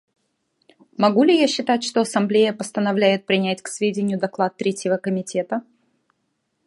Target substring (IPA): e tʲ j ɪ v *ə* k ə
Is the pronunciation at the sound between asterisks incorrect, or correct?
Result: correct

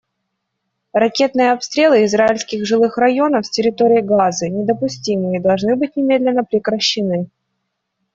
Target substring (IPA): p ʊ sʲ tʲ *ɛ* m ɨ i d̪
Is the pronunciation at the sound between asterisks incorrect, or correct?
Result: incorrect: i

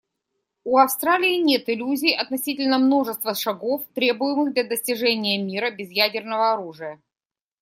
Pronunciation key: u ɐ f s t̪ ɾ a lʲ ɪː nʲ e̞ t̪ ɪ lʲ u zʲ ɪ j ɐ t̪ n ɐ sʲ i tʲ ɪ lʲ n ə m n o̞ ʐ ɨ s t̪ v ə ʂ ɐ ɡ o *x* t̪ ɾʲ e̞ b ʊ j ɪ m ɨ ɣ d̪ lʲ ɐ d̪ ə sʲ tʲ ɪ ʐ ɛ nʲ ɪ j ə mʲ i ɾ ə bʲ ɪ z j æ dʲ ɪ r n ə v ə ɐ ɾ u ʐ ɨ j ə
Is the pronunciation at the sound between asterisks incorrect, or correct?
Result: incorrect: f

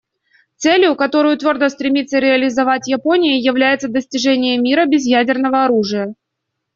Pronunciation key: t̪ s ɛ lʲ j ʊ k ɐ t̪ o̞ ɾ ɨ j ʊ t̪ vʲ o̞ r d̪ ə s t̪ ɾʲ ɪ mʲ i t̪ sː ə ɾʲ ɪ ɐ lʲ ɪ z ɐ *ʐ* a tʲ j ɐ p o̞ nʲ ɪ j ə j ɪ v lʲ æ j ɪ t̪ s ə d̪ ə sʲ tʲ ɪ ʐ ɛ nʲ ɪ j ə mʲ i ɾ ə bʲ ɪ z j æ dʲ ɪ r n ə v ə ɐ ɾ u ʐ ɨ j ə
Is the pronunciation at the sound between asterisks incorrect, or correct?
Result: incorrect: v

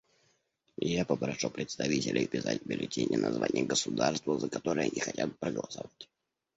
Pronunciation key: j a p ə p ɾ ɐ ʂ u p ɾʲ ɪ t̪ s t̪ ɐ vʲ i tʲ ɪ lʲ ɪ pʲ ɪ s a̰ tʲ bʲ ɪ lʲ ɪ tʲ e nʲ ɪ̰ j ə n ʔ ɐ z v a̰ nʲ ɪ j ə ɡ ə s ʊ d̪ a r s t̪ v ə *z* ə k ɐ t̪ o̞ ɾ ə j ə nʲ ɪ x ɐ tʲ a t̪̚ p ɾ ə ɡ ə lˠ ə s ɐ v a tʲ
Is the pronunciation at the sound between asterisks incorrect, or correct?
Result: correct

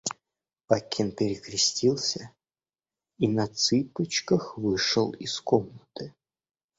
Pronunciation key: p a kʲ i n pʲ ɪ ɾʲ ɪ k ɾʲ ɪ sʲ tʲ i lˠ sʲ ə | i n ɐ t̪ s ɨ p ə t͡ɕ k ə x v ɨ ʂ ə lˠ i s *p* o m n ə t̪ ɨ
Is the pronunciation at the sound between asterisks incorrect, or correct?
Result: incorrect: k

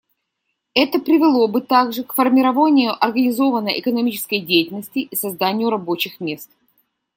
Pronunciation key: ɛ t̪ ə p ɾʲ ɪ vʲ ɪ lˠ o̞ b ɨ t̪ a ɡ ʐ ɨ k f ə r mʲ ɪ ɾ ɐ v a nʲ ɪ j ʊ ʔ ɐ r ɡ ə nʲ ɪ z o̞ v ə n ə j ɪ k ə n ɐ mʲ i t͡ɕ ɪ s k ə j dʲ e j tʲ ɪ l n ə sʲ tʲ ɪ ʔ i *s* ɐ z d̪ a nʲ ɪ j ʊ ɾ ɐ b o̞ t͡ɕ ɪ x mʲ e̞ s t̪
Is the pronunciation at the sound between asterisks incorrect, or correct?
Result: correct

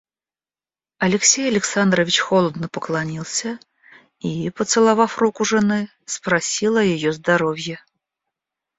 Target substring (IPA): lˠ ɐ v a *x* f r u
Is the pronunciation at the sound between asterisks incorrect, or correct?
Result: incorrect: none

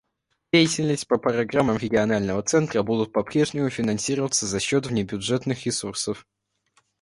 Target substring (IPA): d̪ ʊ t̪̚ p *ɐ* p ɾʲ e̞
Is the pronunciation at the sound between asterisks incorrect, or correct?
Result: correct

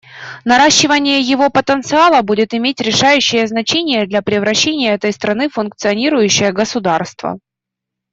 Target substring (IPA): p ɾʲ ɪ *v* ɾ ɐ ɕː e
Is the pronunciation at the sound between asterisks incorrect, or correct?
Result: correct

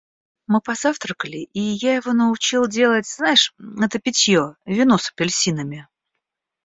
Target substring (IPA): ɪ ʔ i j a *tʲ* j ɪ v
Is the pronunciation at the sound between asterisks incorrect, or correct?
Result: incorrect: none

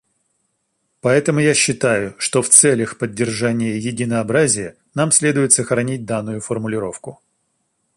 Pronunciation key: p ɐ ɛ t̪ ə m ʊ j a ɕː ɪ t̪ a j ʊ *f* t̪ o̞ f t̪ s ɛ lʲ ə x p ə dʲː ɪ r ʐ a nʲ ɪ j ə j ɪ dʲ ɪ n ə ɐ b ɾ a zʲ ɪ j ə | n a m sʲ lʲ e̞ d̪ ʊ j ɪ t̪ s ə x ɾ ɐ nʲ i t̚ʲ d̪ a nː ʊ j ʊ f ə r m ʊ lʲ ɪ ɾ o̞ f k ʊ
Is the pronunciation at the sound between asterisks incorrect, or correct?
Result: incorrect: ʂ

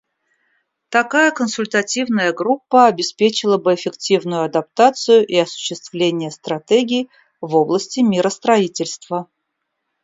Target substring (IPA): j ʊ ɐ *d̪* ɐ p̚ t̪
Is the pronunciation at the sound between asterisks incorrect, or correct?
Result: correct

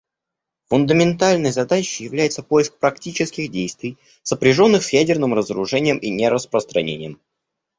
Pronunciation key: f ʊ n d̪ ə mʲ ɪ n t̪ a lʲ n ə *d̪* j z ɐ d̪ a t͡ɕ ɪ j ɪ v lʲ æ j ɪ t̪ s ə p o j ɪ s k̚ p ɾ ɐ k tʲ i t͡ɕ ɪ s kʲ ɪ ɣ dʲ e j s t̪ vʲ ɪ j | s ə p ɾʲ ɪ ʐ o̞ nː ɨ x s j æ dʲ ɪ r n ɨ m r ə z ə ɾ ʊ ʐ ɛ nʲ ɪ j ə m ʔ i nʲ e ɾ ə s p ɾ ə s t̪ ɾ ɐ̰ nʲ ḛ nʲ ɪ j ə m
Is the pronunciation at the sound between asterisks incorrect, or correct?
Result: incorrect: none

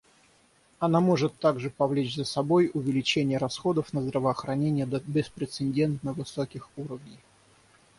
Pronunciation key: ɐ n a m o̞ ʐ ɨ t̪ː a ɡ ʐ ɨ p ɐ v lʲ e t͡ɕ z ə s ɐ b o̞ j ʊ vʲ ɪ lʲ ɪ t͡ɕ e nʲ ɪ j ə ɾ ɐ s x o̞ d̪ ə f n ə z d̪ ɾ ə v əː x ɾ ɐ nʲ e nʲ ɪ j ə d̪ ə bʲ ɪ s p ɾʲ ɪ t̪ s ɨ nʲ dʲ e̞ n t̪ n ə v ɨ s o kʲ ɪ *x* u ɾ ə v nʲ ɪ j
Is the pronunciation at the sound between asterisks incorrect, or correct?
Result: correct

